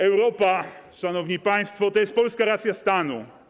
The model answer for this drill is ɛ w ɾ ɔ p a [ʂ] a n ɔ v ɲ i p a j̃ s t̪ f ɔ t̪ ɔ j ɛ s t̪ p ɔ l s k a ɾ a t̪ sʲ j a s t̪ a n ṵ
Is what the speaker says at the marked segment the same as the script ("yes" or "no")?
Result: yes